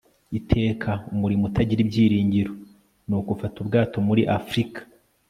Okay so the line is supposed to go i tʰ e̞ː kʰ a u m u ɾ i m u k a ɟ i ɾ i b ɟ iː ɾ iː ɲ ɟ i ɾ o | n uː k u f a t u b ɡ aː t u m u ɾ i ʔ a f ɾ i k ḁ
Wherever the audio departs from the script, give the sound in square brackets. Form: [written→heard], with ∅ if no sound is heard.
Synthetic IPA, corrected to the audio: i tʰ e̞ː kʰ a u m u ɾ i m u [k→t] a ɟ i ɾ i b ɟ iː ɾ iː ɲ ɟ i ɾ o | n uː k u f a t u b ɡ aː t [u→o] m u ɾ i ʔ a f ɾ i k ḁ